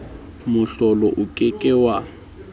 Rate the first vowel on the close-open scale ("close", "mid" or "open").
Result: close